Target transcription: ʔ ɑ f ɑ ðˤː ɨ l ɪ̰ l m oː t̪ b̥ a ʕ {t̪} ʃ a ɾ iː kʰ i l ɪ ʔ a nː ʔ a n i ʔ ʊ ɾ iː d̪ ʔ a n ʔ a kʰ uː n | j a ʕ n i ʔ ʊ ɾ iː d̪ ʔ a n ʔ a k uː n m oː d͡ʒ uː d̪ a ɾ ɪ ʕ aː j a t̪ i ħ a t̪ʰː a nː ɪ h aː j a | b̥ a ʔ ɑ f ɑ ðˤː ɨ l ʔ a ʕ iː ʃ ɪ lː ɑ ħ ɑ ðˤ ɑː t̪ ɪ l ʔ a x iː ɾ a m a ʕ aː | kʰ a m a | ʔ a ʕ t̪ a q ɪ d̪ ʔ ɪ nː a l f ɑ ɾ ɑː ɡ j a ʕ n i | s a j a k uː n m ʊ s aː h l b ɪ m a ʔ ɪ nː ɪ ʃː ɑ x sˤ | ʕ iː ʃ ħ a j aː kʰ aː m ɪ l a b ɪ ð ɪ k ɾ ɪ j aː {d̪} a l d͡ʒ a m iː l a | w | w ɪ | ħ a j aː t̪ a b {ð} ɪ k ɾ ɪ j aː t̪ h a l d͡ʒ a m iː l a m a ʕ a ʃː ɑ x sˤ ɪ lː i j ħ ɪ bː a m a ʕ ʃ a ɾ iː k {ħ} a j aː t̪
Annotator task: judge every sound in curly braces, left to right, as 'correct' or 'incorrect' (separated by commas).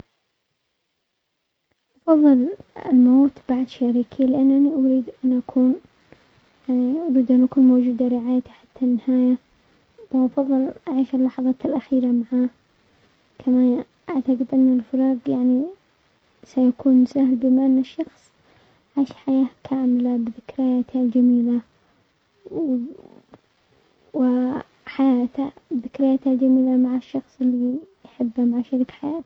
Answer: incorrect, incorrect, correct, correct